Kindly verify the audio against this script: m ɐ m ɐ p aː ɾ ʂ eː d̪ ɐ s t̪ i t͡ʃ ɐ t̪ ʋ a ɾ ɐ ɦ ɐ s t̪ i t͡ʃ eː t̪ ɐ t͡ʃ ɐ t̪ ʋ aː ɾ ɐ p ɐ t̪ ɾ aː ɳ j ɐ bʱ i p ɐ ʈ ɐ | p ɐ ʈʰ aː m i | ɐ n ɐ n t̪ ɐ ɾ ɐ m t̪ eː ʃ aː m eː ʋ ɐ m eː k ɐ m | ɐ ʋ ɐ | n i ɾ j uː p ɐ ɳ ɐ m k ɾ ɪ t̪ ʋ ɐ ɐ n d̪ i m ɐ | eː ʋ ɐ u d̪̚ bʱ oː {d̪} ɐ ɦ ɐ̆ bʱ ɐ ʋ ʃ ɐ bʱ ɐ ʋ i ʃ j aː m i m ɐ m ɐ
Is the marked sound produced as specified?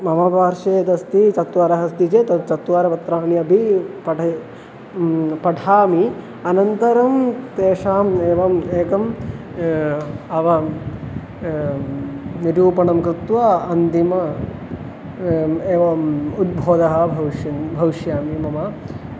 yes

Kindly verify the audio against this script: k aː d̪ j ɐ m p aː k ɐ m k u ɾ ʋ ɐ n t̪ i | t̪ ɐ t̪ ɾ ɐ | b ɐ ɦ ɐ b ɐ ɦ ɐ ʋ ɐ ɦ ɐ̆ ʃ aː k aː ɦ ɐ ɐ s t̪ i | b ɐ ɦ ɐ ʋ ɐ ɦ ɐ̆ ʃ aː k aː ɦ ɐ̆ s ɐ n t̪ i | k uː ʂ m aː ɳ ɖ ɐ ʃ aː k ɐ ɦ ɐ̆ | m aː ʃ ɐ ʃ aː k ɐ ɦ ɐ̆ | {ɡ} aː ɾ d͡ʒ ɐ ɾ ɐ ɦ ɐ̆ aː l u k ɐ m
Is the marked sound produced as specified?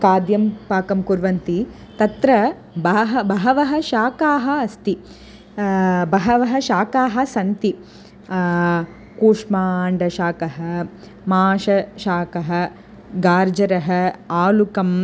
yes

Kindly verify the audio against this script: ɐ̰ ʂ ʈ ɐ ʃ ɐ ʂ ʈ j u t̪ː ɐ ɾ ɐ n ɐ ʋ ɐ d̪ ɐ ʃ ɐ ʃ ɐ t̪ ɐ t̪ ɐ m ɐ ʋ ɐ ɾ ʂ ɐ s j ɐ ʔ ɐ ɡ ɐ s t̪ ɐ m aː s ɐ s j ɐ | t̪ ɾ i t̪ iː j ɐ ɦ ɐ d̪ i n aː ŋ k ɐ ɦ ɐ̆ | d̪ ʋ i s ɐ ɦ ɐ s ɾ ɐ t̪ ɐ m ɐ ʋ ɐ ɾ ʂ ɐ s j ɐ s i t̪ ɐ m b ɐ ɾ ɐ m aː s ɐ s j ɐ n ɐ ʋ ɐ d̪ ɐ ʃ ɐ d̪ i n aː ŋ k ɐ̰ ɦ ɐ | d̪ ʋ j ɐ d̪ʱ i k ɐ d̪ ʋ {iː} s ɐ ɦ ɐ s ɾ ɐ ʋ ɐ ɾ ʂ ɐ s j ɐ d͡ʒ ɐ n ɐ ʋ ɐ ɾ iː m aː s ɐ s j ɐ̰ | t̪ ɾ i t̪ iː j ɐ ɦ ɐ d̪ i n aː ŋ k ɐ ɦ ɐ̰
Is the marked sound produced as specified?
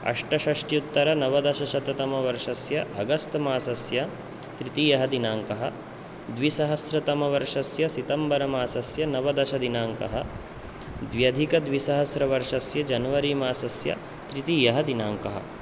no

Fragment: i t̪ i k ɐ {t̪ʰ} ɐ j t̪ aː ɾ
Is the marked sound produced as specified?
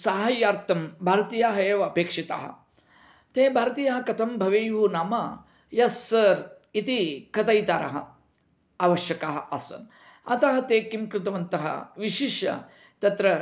no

